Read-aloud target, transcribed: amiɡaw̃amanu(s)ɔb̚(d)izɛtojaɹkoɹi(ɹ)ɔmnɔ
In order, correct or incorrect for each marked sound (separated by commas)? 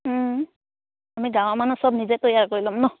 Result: correct, incorrect, incorrect